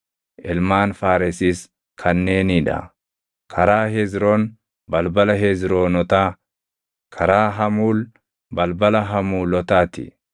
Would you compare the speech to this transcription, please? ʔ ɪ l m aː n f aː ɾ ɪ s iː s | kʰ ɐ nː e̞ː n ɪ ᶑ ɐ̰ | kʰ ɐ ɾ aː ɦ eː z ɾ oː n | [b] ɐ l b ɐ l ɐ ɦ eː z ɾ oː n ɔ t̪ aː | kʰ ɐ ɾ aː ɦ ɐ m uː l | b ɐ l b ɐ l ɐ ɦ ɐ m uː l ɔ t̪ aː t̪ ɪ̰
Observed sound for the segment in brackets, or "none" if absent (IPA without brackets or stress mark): b